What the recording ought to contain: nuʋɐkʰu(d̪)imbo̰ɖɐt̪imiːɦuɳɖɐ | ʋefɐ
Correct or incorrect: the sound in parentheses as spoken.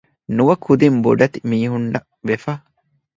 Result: correct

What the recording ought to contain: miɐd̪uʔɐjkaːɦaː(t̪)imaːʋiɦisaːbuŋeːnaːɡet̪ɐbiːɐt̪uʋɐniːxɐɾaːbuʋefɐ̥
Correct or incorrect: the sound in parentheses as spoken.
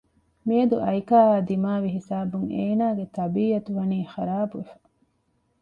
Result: incorrect: d̪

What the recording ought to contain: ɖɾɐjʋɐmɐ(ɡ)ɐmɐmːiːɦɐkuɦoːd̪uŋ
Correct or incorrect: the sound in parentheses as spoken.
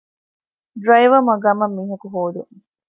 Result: correct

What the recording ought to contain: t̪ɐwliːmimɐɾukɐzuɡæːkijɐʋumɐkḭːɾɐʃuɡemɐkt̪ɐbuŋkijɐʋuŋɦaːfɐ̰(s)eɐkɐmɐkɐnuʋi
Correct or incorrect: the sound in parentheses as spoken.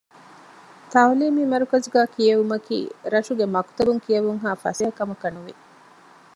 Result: correct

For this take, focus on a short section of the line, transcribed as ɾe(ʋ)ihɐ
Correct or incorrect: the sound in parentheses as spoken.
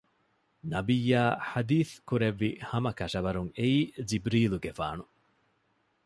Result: incorrect: ʋː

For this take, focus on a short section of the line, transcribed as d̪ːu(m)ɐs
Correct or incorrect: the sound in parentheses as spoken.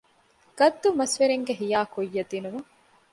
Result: correct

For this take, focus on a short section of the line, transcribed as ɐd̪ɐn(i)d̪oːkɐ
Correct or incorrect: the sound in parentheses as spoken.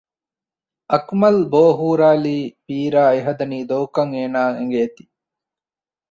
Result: incorrect: iː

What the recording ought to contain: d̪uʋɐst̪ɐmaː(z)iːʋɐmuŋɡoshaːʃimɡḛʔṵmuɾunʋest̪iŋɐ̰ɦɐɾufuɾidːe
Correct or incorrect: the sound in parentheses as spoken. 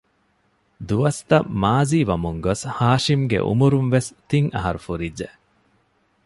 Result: correct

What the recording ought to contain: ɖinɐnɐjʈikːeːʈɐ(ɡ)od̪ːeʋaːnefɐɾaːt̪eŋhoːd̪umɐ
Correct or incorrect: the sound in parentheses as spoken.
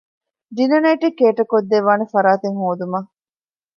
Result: incorrect: k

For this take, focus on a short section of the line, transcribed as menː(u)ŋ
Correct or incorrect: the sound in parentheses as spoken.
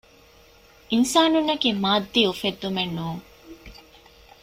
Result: incorrect: uː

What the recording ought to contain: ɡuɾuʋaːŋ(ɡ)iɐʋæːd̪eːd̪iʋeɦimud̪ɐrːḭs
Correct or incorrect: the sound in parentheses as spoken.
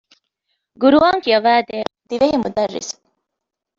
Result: incorrect: k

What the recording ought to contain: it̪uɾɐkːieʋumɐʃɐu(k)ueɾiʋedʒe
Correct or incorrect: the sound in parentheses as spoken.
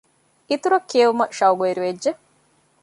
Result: incorrect: ɡ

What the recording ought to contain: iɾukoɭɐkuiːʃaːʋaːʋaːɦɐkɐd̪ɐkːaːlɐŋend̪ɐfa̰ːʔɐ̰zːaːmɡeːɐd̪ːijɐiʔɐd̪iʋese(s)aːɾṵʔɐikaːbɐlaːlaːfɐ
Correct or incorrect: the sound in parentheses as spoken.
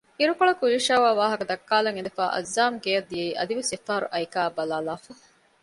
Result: incorrect: f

